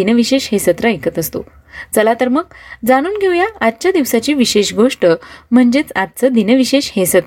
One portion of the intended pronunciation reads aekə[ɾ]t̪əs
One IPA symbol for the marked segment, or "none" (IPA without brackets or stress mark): none